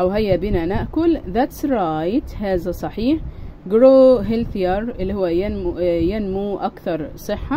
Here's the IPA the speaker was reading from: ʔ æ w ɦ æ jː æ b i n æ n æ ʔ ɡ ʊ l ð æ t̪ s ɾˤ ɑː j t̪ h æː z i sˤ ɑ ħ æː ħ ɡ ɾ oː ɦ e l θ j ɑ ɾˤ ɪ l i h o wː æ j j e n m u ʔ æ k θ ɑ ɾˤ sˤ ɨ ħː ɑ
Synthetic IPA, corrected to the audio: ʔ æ w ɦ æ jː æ b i n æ n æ ʔ k ʊ l ð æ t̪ s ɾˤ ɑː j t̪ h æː z æ sˤ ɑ ħ iː ħ ɡ ɾ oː ɦ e l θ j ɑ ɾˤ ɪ lː i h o wː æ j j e n m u ʔ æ k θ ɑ ɾˤ sˤ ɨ ħː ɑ